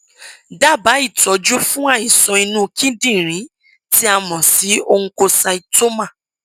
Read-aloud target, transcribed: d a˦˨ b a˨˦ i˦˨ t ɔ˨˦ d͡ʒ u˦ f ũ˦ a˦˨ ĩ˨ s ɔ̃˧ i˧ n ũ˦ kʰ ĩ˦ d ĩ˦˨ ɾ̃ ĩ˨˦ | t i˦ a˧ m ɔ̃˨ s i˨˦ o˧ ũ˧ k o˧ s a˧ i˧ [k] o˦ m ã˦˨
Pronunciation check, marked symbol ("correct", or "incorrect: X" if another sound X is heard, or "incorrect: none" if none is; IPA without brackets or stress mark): incorrect: t